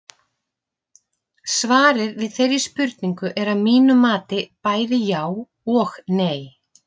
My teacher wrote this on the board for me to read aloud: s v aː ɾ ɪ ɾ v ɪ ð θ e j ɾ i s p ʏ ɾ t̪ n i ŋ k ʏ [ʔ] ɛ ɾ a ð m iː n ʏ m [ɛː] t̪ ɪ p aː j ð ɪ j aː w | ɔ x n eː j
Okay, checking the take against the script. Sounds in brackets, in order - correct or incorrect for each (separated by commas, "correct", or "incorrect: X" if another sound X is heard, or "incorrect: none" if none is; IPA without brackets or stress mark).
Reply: correct, incorrect: aː